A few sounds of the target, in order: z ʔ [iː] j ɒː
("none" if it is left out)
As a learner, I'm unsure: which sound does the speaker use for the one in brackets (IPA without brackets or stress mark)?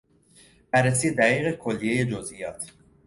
i